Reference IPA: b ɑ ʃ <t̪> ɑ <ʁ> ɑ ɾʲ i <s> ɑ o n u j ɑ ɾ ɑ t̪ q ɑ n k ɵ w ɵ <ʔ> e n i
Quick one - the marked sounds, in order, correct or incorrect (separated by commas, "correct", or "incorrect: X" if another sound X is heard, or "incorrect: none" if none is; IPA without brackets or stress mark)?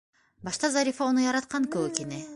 correct, incorrect: z, incorrect: f, incorrect: k